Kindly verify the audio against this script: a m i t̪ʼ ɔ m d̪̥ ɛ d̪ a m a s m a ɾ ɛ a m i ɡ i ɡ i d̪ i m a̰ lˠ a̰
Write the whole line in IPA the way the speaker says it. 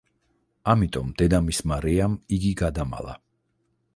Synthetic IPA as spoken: a m i t̪ʼ ɔ m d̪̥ ɛ d̪ a m i s m a ɾ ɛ a m i ɡ i ɡ a d̪ a m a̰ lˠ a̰

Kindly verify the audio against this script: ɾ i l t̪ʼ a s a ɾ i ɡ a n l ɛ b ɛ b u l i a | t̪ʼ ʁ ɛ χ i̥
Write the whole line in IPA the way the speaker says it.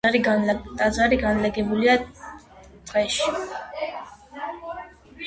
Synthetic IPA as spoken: ɾ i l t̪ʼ a z a ɾ i ɡ a n l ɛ ɡ ɛ b u l i a | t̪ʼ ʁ ɛ ʃ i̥

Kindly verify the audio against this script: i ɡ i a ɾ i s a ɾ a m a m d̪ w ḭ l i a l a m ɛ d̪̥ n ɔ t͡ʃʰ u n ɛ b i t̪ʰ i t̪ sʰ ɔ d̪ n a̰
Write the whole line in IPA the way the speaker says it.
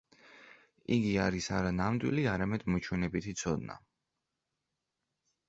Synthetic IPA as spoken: i ɡ i a ɾ i s a ɾ a n a m d̪ w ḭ l i a ɾ a m ɛ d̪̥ m ɔ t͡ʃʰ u n ɛ b i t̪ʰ i t̪ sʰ ɔ d̪ n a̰

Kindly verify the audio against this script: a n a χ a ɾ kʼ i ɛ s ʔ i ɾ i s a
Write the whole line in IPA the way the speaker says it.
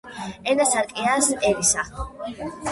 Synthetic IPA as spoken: ɛ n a s a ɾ kʼ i a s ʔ ɛ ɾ i s a

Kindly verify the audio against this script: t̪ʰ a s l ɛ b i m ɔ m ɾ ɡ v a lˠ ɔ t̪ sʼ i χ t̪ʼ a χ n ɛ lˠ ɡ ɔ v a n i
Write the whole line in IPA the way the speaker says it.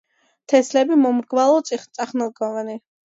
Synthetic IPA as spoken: t̪ʰ ɛ s l ɛ b i m ɔ m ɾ ɡ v a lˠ ɔ t̪ sʼ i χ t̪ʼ a χ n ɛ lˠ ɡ ɔ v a n i

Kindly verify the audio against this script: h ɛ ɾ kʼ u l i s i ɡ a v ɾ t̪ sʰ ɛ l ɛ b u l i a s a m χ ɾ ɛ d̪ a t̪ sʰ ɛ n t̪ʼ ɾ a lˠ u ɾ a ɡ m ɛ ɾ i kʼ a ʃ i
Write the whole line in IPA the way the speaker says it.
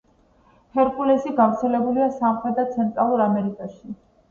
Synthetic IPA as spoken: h ɛ ɾ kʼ u l ɛ s i ɡ a v ɾ t̪ sʰ ɛ l ɛ b u l i a s a m χ ɾ ɛ d̪ a t̪ sʰ ɛ n t̪ʼ ɾ a lˠ u ɾ a m ɛ ɾ i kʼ a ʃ i

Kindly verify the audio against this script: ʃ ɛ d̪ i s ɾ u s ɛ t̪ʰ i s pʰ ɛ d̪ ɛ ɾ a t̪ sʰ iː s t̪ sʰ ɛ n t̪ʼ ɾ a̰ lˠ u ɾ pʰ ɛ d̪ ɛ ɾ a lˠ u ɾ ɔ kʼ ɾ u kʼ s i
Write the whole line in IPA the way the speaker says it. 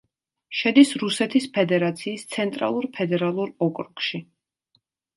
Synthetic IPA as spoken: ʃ ɛ d̪ i s ɾ u s ɛ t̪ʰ i s pʰ ɛ d̪ ɛ ɾ a t̪ sʰ iː s t̪ sʰ ɛ n t̪ʼ ɾ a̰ lˠ u ɾ pʰ ɛ d̪ ɛ ɾ a lˠ u ɾ ɔ kʼ ɾ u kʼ ʃ i

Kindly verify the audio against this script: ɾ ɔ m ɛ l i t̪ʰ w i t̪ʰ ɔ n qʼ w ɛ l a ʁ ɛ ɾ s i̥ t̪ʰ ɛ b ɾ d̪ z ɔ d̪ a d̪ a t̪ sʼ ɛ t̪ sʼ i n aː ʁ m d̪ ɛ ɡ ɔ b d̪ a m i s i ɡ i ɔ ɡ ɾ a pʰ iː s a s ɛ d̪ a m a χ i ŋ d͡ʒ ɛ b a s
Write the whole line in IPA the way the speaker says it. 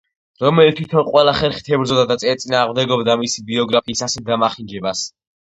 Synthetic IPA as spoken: ɾ ɔ m ɛ l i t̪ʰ w i t̪ʰ ɔ n qʼ w ɛ l a χ ɛ ɾ χ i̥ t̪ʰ ɛ b ɾ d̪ z ɔ d̪ a d̪ a t̪ sʼ ɛ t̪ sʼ i n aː ʁ m d̪ ɛ ɡ ɔ b d̪ a m i s i b i ɔ ɡ ɾ a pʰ iː s a s ɛ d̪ a m a χ i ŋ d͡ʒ ɛ b a s

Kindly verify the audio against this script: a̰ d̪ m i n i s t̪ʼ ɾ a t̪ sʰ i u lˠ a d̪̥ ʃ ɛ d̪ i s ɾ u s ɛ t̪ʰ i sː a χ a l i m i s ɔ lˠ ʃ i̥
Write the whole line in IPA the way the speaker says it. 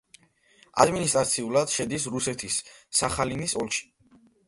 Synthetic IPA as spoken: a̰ d̪ m i n i s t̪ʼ ɾ a t̪ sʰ i u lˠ a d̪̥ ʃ ɛ d̪ i s ɾ u s ɛ t̪ʰ i sː a χ a l i n i s ɔ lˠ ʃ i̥

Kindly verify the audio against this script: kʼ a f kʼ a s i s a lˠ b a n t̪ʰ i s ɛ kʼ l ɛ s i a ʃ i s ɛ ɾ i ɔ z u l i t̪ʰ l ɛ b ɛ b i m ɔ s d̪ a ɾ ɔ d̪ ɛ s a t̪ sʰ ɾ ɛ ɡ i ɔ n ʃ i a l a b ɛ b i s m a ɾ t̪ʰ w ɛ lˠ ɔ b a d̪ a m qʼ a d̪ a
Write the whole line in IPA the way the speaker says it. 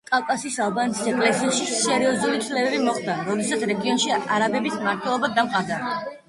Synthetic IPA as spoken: kʼ a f kʼ a s i s a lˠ b a n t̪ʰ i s ɛ kʼ l ɛ s i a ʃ i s ɛ ɾ i ɔ z u l i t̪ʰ l ɛ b ɛ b i m ɔ χ d̪ a ɾ ɔ d̪ ɛ s a t̪ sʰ ɾ ɛ ɡ i ɔ n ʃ i a ɾ a b ɛ b i s m a ɾ t̪ʰ w ɛ lˠ ɔ b a d̪ a m qʼ a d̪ a

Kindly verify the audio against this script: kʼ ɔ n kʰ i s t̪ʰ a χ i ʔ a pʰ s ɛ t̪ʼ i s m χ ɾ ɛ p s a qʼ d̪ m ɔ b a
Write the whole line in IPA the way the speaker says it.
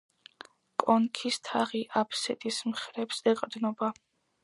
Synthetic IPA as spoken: kʼ ɔ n kʰ i s t̪ʰ a ʁ i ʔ a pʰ s ɛ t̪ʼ i s m χ ɾ ɛ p s ɛ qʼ d̪ n ɔ b a

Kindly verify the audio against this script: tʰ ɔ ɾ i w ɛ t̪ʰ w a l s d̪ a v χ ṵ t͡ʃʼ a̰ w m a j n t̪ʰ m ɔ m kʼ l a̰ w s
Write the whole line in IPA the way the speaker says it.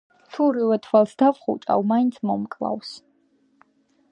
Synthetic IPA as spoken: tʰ u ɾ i w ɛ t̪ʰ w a l s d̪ a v χ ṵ t͡ʃʼ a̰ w m a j n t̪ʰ m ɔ m kʼ l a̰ w s

